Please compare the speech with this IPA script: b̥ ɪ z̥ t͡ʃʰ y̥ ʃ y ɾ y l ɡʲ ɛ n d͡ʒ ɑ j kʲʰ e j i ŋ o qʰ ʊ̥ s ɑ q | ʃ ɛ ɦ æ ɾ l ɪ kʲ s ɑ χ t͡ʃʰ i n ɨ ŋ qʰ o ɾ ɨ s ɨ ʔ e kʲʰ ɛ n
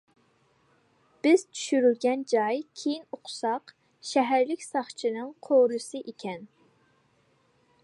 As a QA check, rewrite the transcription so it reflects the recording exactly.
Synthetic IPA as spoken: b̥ ɪ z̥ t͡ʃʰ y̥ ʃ y ɾ y l ɡʲ ɛ n d͡ʒ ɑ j kʲʰ e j i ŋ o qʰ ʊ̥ s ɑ q | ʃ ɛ ɦ æ ɾ l ɪ kʲ s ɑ χ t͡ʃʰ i n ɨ ŋ qʰ o ɾ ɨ s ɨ ʔ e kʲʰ ɛ n